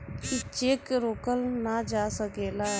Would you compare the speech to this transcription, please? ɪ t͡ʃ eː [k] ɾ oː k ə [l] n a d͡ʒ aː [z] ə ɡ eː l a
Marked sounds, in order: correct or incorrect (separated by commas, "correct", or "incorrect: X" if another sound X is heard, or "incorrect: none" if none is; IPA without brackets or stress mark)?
correct, correct, incorrect: s